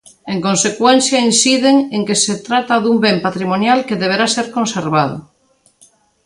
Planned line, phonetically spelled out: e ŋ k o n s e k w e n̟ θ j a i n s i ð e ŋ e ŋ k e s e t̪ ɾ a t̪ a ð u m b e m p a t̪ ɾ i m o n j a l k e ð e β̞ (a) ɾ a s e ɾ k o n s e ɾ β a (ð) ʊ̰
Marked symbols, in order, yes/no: no, yes

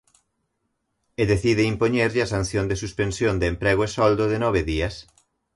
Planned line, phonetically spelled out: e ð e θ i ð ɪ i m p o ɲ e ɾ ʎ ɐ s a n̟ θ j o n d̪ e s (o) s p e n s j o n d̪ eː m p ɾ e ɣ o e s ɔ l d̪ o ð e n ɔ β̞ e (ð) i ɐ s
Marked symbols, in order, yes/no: no, yes

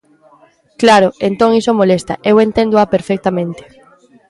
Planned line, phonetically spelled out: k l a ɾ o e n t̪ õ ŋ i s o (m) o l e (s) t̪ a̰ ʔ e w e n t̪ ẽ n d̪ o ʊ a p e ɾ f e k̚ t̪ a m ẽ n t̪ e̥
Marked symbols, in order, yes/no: yes, yes

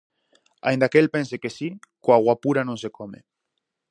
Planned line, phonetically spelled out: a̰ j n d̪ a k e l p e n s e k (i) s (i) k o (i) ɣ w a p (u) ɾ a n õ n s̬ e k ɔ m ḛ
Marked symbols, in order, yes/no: no, yes, no, yes

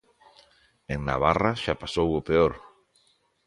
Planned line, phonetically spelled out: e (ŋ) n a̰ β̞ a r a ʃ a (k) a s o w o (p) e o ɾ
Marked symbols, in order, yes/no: yes, no, yes

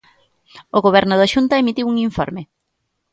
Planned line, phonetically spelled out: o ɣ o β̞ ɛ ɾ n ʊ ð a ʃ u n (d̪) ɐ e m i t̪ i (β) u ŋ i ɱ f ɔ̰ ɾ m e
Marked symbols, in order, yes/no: no, no

